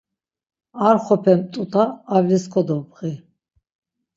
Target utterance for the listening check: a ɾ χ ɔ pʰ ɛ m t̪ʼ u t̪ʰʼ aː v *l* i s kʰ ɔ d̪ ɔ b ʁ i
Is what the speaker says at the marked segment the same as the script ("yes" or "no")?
yes